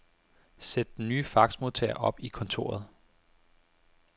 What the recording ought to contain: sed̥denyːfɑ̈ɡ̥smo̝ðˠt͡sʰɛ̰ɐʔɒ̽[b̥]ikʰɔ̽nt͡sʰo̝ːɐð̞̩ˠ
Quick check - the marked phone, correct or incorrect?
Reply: correct